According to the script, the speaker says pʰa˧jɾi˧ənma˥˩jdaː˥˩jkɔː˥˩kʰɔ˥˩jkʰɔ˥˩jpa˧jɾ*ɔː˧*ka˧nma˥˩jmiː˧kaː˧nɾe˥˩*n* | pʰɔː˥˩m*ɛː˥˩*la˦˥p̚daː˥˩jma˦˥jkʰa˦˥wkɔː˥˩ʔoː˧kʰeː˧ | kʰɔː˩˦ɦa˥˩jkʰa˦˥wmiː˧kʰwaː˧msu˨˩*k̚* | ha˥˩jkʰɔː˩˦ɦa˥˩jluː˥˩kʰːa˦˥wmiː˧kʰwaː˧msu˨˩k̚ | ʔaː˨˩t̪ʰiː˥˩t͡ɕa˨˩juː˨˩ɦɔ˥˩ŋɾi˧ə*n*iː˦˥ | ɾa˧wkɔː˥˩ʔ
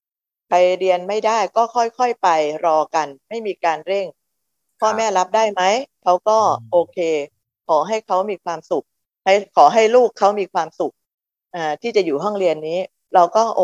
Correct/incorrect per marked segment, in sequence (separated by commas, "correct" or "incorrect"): correct, incorrect, correct, correct, incorrect